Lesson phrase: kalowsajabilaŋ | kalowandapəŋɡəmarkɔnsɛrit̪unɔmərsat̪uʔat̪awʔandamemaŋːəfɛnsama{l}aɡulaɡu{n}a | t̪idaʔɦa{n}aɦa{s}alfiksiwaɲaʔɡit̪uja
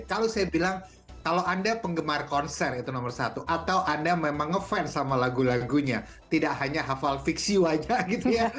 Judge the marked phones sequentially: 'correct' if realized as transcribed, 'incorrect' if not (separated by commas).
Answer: correct, incorrect, incorrect, incorrect